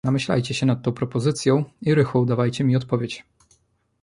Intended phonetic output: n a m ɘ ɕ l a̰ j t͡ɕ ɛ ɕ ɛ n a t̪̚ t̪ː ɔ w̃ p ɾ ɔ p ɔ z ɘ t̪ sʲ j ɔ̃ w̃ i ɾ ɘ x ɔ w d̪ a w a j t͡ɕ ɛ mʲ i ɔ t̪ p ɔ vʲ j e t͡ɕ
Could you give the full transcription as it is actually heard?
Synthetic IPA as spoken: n a m ɘ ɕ l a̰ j t͡ɕ ɛ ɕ ɛ n a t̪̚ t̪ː ɔ̃ w̃ p ɾ ɔ p ɔ z ɘ t̪ sʲ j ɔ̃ w̃ i ɾ ɘ x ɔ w d̪ a v a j t͡ɕ ɛ mʲ i ɔ t̪ p ɔ vʲ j e t͡ɕ